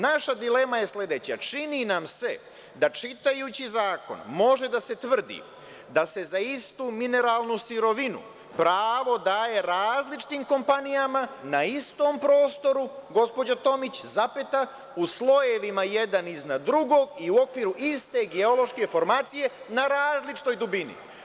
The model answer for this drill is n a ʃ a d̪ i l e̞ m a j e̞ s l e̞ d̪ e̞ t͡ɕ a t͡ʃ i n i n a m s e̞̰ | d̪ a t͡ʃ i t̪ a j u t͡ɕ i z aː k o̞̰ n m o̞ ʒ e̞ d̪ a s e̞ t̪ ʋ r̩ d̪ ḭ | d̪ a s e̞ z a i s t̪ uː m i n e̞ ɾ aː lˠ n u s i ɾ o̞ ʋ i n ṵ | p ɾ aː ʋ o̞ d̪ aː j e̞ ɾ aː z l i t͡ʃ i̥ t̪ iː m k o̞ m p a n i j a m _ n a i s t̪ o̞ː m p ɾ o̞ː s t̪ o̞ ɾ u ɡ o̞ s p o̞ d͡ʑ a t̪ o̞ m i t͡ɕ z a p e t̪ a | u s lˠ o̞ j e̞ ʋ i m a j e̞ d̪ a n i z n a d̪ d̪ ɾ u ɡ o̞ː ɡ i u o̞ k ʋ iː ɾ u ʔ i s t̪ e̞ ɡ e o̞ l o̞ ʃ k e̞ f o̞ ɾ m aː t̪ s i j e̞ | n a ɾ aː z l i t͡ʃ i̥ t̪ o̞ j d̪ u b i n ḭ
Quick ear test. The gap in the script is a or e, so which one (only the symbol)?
a